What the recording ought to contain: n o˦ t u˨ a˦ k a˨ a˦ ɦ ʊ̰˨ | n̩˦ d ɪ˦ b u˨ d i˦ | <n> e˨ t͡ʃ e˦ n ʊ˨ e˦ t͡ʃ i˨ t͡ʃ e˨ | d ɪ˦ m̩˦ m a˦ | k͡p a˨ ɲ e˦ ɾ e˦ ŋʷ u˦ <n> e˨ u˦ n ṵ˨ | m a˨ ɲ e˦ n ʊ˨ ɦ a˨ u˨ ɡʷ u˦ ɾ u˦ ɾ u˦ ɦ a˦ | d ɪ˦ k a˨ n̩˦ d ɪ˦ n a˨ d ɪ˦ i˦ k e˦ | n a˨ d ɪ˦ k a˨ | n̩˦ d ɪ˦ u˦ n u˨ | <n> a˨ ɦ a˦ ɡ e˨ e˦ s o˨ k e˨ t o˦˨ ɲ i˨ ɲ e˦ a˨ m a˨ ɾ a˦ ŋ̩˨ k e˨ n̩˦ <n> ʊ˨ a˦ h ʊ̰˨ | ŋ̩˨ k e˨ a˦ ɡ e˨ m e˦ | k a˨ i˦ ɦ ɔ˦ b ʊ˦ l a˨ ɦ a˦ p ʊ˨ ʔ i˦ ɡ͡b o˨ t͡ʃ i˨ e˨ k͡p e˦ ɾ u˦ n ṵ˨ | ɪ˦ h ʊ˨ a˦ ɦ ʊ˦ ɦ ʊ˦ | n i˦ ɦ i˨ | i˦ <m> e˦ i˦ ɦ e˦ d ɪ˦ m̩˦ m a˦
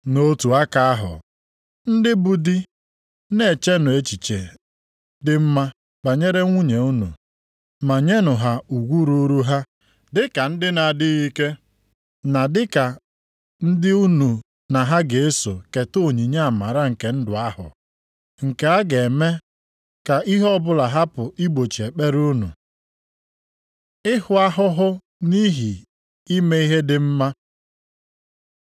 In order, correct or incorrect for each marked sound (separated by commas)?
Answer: correct, incorrect, correct, incorrect, correct